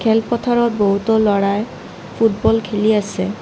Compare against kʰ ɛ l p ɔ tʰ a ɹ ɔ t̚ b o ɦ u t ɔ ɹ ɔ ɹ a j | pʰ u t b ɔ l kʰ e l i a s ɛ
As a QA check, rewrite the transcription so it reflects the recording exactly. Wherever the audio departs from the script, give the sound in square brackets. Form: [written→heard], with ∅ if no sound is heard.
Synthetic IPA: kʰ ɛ l p ɔ tʰ a ɹ ɔ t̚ b o ɦ u t ɔ [ɹ→l] ɔ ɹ a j | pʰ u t b ɔ l kʰ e l i a s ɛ